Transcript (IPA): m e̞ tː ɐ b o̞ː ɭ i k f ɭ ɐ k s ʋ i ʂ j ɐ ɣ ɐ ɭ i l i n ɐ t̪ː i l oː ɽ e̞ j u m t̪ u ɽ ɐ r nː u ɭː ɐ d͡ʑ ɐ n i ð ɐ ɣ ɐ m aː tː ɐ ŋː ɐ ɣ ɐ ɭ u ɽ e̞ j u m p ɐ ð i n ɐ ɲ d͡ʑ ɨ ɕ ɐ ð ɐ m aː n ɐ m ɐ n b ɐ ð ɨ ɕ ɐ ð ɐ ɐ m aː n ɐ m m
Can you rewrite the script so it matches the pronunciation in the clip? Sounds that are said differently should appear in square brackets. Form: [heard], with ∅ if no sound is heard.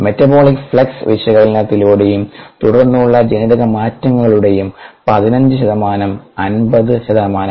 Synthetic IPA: m e̞ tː ɐ b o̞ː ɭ i k f ɭ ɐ k s ʋ i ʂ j ɐ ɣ ɐ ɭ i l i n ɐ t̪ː i l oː ɽ e̞ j u m t̪ u ɽ ɐ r nː u ɭː ɐ d͡ʑ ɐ n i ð ɐ ɣ ɐ m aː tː ɐ ŋː ɐ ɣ ɐ ɭ u ɽ e̞ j u m p ɐ ð i n ɐ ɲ d͡ʑ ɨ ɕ ɐ ð ɐ m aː n ɐ m ɐ n b ɐ ð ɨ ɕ ɐ ð ɐ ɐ m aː n ɐ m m